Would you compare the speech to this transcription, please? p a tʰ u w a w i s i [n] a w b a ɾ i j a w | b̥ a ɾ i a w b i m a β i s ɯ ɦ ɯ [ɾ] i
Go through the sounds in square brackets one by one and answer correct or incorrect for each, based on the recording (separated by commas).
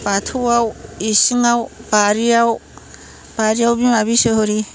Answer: incorrect, correct